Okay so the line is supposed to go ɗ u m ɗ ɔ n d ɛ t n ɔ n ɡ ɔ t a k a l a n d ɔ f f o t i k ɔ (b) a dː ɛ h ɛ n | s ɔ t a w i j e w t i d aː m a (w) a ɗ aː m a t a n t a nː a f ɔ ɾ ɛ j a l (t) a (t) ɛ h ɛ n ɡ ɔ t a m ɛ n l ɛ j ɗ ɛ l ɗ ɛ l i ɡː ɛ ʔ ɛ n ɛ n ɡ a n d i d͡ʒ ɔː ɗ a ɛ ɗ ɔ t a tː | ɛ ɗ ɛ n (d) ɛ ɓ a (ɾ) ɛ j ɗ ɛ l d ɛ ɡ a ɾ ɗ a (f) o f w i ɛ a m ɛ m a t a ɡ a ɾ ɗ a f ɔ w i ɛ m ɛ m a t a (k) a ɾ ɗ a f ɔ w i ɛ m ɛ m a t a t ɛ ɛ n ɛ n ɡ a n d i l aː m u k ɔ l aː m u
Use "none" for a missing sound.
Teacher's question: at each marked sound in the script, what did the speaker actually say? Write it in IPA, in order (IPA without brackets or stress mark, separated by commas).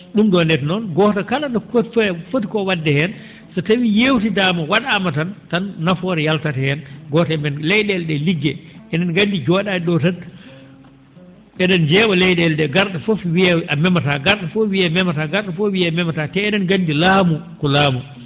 w, w, t, t, d͡ʒ, l, f, ɡ